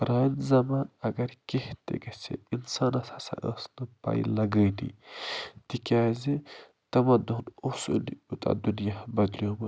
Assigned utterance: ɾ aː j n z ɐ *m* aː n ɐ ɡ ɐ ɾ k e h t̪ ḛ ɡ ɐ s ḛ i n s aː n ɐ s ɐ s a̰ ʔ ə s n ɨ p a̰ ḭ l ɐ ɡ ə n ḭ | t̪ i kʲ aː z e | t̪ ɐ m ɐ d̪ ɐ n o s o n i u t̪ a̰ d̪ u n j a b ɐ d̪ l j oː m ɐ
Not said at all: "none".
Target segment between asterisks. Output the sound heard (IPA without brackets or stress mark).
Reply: m